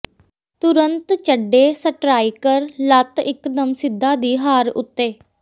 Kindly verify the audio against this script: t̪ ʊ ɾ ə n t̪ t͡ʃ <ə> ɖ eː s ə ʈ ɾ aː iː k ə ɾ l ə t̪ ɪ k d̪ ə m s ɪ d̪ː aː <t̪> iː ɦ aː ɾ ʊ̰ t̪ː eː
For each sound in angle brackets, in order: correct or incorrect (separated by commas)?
correct, incorrect